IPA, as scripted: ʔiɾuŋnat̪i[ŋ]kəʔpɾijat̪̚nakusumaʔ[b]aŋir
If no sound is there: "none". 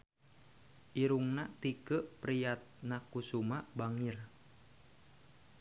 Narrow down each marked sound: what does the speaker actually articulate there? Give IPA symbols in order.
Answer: none, b

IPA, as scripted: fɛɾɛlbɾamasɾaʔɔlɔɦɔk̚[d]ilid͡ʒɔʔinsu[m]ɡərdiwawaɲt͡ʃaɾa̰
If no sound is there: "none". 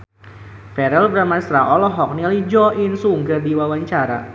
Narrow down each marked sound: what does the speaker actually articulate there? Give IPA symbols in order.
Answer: n, ŋ

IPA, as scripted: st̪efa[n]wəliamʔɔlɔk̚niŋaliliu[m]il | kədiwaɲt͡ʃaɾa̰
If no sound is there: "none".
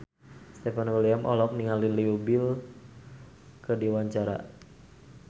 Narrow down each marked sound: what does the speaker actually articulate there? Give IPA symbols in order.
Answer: n, b

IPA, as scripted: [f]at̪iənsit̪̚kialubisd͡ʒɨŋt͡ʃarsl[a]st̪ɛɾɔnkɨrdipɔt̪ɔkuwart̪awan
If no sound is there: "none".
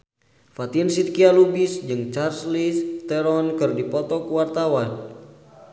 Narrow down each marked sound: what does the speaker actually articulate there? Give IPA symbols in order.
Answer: f, i

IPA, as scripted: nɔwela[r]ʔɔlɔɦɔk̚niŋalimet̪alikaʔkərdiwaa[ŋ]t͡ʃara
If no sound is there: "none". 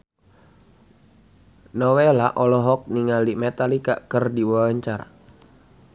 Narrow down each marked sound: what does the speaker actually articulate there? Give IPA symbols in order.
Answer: none, ɲ

